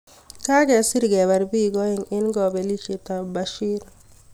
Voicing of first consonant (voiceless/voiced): voiceless